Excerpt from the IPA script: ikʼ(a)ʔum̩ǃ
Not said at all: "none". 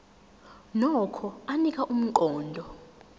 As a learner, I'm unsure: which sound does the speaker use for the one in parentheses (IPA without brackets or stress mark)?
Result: a